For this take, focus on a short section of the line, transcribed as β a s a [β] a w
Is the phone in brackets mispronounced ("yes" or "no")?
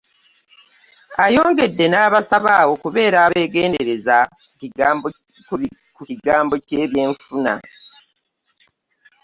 no